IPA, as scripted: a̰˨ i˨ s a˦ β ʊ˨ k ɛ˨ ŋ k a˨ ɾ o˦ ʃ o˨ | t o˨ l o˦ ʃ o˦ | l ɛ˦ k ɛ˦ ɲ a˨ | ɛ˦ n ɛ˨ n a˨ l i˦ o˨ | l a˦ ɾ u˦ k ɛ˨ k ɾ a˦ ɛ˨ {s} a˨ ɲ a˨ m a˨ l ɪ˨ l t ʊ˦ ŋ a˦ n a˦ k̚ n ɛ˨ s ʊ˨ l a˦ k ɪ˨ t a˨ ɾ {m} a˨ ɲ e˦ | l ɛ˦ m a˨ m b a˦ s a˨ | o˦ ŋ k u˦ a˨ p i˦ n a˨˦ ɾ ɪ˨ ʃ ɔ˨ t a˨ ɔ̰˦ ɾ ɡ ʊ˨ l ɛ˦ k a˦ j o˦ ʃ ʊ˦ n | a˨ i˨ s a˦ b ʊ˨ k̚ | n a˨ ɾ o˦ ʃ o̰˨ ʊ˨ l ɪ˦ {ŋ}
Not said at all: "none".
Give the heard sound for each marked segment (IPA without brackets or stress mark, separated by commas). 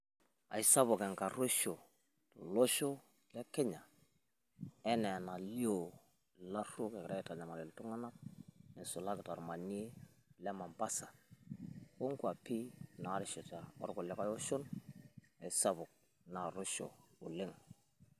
t, m, ŋ